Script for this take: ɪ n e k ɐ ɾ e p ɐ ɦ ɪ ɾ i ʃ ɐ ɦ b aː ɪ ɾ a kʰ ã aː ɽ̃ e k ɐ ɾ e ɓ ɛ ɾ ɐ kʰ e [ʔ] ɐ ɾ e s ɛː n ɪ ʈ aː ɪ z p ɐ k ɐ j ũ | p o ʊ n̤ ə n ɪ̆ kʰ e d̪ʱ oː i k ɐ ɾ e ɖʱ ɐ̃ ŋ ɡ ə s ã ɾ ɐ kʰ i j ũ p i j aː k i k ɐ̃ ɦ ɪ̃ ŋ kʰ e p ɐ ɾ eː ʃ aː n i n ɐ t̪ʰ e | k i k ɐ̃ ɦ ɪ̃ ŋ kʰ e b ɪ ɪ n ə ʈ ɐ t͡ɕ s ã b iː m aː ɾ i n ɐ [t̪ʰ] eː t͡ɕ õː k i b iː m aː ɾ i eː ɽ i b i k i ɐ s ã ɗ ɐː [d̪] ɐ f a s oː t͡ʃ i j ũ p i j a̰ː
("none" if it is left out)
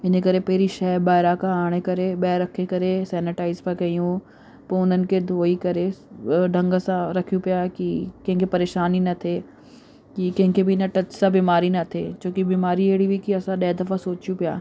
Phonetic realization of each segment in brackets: k, t̪ʰ, d̪

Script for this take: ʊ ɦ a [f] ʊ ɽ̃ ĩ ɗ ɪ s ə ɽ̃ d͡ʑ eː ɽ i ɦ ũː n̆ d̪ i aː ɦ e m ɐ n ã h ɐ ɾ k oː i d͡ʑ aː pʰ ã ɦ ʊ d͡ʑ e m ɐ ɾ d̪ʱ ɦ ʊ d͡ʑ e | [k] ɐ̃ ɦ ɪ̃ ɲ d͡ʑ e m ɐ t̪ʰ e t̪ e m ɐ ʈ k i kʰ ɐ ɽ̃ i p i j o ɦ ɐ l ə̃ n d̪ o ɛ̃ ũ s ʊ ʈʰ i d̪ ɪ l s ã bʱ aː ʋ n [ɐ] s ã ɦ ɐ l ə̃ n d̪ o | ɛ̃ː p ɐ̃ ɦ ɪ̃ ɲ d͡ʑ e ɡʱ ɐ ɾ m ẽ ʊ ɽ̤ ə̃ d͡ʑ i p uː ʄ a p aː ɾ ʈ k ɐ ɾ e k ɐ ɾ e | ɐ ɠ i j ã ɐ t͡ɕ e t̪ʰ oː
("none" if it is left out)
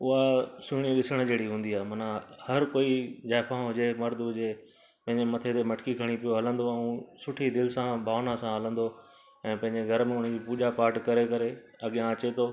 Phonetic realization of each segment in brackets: s, p, a

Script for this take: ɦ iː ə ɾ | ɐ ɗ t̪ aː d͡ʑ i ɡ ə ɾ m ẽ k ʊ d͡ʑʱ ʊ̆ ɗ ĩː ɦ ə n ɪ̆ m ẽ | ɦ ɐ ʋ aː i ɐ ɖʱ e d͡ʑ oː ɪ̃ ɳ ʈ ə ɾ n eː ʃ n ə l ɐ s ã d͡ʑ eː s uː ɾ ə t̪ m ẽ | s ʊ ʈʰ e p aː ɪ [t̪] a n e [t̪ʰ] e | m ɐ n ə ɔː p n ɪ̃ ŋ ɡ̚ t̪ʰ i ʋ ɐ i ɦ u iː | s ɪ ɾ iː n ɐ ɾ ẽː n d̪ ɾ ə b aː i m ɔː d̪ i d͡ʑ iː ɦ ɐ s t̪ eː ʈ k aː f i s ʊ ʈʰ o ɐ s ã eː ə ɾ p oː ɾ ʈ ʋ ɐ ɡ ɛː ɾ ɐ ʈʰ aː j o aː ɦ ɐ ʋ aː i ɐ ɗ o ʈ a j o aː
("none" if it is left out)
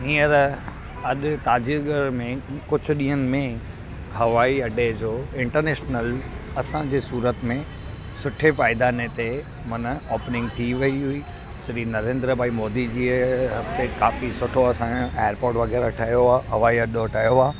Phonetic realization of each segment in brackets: d̪, t̪

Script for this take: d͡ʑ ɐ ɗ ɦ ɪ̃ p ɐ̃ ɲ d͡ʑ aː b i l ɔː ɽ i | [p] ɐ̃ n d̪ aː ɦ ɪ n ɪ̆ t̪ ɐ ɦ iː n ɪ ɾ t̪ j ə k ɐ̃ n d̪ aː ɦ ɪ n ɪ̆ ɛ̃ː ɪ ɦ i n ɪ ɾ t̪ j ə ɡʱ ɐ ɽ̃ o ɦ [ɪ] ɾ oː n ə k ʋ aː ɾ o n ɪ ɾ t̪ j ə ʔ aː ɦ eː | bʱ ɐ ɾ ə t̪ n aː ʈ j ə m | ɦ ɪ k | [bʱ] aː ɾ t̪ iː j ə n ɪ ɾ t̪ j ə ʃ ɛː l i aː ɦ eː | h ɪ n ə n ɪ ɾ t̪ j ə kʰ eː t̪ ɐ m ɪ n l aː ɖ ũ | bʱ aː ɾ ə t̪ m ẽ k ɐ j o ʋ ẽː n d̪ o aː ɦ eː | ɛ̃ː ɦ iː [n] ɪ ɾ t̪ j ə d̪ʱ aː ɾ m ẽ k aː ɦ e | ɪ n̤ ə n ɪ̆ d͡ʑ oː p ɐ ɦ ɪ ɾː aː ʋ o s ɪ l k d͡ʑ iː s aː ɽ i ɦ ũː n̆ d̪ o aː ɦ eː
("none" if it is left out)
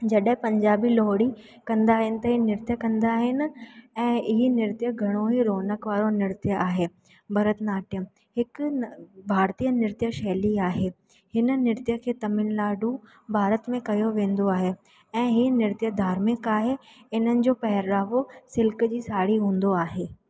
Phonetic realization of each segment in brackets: k, i, bʱ, n

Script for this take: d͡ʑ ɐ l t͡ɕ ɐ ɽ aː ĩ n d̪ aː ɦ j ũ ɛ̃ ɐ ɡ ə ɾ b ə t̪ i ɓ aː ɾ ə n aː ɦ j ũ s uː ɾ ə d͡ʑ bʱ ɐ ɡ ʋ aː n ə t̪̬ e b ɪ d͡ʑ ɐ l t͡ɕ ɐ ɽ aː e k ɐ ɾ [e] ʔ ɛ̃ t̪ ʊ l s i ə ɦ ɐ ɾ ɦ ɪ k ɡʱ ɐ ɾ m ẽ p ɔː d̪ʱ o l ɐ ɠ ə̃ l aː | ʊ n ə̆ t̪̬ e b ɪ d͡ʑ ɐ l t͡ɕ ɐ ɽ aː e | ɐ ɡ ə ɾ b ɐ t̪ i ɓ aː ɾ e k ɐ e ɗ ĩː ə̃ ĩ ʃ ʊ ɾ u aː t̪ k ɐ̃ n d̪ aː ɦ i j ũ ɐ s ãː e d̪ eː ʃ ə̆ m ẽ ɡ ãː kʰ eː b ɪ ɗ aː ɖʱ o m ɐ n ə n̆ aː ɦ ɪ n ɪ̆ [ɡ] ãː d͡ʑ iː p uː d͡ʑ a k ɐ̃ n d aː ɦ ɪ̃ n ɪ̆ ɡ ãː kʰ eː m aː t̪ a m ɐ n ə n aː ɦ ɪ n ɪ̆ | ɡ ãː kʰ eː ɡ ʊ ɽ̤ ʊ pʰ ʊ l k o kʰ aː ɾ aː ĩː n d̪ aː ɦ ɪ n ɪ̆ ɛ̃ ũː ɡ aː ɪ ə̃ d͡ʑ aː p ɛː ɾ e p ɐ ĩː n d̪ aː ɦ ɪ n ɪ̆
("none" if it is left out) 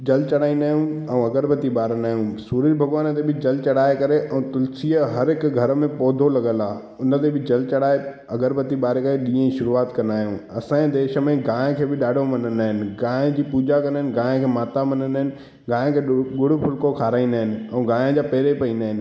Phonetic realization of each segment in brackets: e, ɡ

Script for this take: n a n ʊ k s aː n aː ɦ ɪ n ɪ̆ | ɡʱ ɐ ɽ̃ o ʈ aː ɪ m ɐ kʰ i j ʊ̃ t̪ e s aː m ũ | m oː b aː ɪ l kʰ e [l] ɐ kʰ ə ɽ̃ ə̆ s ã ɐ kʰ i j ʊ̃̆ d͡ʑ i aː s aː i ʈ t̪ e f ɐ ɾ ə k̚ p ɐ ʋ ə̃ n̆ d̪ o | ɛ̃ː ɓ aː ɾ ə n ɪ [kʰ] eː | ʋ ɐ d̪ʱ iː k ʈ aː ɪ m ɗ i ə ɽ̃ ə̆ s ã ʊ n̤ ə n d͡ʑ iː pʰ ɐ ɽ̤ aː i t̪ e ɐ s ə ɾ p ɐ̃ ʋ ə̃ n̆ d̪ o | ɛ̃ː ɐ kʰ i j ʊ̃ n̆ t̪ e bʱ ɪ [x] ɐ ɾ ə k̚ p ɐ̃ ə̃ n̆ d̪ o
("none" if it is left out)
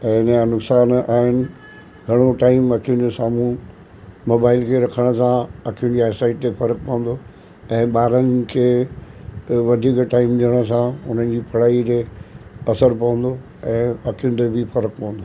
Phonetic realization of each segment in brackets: ɾ, kʰ, f

